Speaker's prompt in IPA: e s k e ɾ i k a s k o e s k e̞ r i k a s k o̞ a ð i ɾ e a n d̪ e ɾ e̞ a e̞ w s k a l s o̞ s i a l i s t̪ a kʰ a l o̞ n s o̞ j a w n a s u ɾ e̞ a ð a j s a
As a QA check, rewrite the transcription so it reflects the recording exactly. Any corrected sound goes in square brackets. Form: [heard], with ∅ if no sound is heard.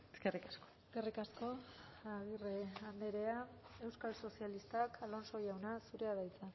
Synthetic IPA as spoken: e s k e [r] i k a s k o e s k e̞ r i k a s k o̞ a [ɣ] i [r] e a n d̪ e ɾ e̞ a e̞ w s k a l s o̞ s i a l i s t̪ a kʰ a l o̞ n s o̞ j a w n a s u ɾ e̞ a ð a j [t͡s] a

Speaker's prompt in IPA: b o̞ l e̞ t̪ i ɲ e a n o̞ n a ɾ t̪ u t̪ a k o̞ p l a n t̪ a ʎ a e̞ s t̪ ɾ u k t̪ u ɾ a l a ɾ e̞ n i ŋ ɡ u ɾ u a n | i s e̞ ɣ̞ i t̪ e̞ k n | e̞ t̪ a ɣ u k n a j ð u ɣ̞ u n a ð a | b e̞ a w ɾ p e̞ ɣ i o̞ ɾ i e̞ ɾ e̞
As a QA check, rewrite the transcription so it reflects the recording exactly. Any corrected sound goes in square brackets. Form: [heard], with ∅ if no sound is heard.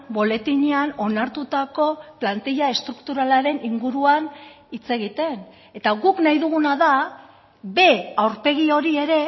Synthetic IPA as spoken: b o̞ l e̞ t̪ i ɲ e a n o̞ n a ɾ t̪ u t̪ a k o̞ p l a n t̪ [i] ʎ a e̞ s t̪ ɾ u k t̪ u ɾ a l a ɾ e̞ n i ŋ ɡ u ɾ u a n | i [t͡s] e̞ ɣ̞ i t̪ e̞ [∅] n | e̞ t̪ a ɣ u k n a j ð u ɣ̞ u n a ð a | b e̞ a w ɾ p e̞ ɣ i o̞ ɾ i e̞ ɾ e̞

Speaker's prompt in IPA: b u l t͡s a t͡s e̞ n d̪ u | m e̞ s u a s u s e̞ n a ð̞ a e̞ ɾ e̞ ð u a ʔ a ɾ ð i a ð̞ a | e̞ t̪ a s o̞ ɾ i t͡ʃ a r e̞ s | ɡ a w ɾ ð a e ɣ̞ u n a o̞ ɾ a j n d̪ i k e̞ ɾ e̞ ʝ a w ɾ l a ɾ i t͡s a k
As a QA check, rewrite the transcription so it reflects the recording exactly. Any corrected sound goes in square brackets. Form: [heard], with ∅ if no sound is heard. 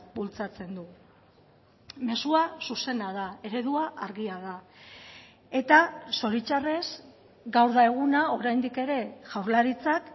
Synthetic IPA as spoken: b u l t͡s a t͡s e̞ n d̪ u | m e̞ s u a s u s e̞ n a ð̞ a e̞ ɾ e̞ ð u a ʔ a ɾ [ɣ] i a ð̞ a | e̞ t̪ a s o̞ ɾ i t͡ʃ a r e̞ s | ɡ a w ɾ ð a e ɣ̞ u n a o̞ ɾ a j n d̪ i k e̞ ɾ e̞ ʝ a w ɾ l a ɾ i t͡s a k

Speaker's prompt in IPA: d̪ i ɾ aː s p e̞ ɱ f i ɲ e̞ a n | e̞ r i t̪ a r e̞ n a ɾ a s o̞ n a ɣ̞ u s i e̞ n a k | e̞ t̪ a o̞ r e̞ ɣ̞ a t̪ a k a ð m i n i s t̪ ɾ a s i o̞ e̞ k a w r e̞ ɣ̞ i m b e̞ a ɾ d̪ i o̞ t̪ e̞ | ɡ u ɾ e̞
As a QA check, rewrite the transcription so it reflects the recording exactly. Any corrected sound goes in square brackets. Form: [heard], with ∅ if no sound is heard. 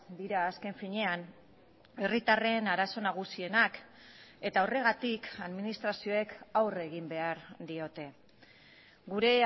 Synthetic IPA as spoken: d̪ i ɾ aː s [k] e̞ ɱ f i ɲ e̞ a n | e̞ r i t̪ a r e̞ n a ɾ a s o̞ n a ɣ̞ u s i e̞ n a k | e̞ t̪ a o̞ r e̞ ɣ̞ a t̪ [i] k a ð m i n i s t̪ ɾ a s i o̞ e̞ k a w r e̞ ɣ̞ i m b e̞ a ɾ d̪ i o̞ t̪ e̞ | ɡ u ɾ e̞

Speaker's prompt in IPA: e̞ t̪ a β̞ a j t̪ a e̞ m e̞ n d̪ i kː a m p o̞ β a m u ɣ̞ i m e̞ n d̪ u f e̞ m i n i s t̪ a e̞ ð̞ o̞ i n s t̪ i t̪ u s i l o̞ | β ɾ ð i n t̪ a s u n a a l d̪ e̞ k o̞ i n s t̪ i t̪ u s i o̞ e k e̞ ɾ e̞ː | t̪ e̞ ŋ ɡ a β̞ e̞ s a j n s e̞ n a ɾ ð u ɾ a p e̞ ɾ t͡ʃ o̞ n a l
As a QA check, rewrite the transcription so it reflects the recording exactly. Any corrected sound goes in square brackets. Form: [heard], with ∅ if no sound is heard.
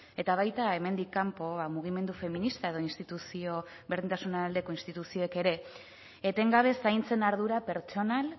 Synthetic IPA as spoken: e̞ t̪ a β̞ a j t̪ a e̞ m e̞ n d̪ i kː a m p o̞ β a m u ɣ̞ i m e̞ n d̪ u f e̞ m i n i s t̪ a e̞ ð̞ o̞ i n s t̪ i t̪ u s i [∅] o̞ | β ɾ ð i n t̪ a s u n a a l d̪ e̞ k o̞ i n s t̪ i t̪ u s i o̞ e k e̞ ɾ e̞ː | t̪ e̞ ŋ ɡ a β̞ e̞ s a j n [t͡s] e̞ n a ɾ ð u ɾ a p e̞ ɾ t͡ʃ o̞ n a l

